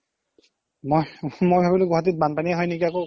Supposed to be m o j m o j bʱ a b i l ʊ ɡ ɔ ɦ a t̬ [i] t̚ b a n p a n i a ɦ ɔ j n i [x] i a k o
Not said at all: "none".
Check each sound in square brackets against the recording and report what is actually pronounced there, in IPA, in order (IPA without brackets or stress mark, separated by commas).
i, k